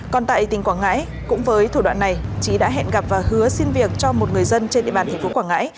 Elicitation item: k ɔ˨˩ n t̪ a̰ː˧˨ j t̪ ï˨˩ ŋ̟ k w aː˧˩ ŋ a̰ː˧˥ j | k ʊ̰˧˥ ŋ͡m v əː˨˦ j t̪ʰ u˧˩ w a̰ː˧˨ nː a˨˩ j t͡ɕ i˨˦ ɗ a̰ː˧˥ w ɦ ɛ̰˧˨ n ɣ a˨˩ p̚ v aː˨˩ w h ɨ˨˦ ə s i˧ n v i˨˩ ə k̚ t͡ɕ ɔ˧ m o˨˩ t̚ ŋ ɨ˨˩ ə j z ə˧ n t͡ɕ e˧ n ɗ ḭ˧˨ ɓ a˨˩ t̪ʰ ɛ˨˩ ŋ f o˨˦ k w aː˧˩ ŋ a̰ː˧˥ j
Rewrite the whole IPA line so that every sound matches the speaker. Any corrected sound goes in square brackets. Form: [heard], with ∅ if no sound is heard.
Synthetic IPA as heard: k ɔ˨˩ n t̪ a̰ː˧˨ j t̪ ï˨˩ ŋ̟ k w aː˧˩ ŋ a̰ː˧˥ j | k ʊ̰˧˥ ŋ͡m v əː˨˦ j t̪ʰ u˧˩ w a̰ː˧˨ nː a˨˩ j t͡ɕ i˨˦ ɗ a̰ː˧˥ [∅] ɦ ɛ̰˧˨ n ɣ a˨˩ p̚ v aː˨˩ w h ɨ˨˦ ə s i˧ n v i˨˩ ə k̚ t͡ɕ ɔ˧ m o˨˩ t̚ ŋ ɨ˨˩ ə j z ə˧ n t͡ɕ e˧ n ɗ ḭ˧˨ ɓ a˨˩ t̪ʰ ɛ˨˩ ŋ f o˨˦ k w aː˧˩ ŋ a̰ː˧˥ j